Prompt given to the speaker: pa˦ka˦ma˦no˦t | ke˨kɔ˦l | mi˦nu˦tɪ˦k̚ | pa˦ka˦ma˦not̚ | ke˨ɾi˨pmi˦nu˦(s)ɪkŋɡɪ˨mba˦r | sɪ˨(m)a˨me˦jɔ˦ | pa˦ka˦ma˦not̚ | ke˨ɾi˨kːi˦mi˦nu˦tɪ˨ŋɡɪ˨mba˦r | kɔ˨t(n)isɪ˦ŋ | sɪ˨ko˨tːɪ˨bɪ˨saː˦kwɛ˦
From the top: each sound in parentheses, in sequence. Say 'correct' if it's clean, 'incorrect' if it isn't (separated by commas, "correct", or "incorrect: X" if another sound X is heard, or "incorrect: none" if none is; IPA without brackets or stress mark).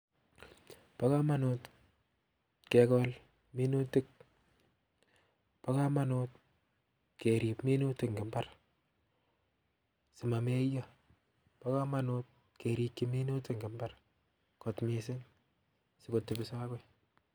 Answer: incorrect: t, correct, incorrect: m